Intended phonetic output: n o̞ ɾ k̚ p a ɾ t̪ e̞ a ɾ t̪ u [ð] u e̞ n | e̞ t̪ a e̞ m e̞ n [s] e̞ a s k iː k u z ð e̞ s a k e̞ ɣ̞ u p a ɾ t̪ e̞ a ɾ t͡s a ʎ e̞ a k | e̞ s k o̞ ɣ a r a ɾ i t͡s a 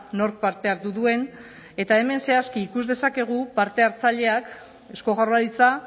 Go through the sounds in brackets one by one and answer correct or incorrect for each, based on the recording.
correct, correct

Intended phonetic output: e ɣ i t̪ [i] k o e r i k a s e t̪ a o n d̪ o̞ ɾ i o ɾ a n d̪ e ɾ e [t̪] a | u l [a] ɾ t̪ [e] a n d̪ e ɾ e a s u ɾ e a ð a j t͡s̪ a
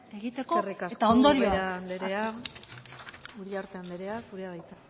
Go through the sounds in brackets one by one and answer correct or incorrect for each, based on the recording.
incorrect: e, incorrect: none, correct, correct

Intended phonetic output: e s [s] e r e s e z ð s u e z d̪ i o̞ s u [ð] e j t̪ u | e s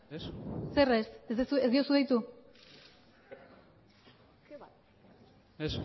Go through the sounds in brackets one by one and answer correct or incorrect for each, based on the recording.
correct, correct

